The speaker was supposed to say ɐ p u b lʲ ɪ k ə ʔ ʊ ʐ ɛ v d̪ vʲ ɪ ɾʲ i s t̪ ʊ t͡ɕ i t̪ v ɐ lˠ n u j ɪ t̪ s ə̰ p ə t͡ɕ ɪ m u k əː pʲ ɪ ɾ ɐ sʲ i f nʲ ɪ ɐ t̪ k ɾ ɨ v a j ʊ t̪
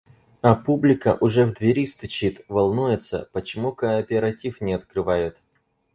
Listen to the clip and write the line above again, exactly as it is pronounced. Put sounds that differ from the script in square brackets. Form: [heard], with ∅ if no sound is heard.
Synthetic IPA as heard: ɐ p u b lʲ ɪ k ə ʔ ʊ ʐ ɛ v d̪ vʲ ɪ ɾʲ i s t̪ ʊ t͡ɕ i t̪ v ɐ lˠ n u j ɪ t̪ s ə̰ p ə t͡ɕ ɪ m u k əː pʲ ɪ ɾ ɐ [tʲ] i f nʲ ɪ ɐ t̪ k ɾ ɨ v a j ʊ t̪